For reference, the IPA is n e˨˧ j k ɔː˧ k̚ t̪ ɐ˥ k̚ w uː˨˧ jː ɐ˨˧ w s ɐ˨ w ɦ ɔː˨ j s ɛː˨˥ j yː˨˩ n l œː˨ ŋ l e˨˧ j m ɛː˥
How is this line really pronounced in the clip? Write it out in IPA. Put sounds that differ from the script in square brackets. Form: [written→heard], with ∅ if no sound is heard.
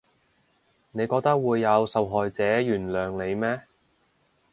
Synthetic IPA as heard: n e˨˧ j k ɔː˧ k̚ t̪ ɐ˥ k̚ w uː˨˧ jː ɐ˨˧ w s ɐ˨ w ɦ ɔː˨ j [s→t͡s] ɛː˨˥ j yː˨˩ n l œː˨ ŋ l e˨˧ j m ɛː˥